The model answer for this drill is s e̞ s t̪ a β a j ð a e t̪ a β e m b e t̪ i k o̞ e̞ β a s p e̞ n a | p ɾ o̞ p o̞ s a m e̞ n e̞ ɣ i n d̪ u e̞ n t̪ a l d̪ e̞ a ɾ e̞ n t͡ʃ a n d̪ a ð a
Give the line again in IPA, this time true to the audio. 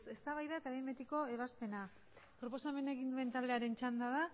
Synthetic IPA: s e̞ s t̪ a β a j ð a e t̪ a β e m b e t̪ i k o̞ e̞ β a s p e̞ n a | p ɾ o̞ p o̞ s a m e̞ n e̞ ɣ i n d̪ u e̞ n t̪ a l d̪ e̞ a ɾ e̞ n t͡ʃ a n d̪ a ð a